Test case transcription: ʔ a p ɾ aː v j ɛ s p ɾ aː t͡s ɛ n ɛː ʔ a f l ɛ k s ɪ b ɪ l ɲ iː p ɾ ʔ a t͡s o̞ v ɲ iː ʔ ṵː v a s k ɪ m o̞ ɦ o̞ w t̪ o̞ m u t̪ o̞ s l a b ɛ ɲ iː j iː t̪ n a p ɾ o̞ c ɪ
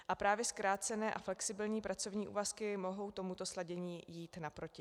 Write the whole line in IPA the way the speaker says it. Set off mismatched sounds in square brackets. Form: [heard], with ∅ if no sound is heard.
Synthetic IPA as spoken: ʔ a p ɾ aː v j ɛ s [k] ɾ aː t͡s ɛ n ɛː ʔ a f l ɛ k s ɪ b ɪ l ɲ iː p ɾ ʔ a t͡s o̞ v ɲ iː ʔ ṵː v a s k ɪ m o̞ ɦ o̞ w t̪ o̞ m u t̪ o̞ s l a [ɟ] ɛ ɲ iː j iː t̪ n a p ɾ o̞ c ɪ